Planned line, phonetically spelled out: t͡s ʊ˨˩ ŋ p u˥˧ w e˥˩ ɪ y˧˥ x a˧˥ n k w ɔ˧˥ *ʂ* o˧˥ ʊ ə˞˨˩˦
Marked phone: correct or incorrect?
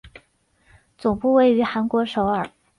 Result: correct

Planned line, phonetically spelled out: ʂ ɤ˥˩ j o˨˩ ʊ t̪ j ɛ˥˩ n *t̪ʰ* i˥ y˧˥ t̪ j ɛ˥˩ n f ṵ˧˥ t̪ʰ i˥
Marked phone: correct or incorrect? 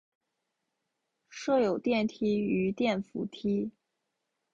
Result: correct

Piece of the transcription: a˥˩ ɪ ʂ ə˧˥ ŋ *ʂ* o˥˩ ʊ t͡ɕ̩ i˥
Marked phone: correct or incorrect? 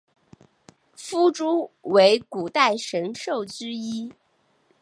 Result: correct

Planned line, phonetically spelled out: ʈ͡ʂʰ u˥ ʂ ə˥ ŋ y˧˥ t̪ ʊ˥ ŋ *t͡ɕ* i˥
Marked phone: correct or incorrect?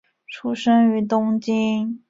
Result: correct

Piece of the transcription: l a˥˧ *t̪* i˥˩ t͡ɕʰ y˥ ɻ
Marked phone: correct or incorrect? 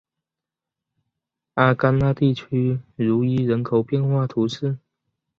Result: correct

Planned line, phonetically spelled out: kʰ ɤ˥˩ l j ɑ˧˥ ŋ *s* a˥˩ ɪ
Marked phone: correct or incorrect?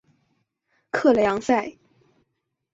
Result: correct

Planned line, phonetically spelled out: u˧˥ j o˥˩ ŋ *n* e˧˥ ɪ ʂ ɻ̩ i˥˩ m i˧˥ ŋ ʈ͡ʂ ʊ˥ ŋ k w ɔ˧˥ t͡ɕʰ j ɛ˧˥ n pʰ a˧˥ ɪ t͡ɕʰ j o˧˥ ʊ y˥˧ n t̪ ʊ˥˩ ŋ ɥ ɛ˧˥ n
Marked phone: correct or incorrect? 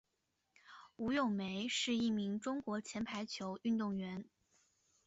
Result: incorrect: m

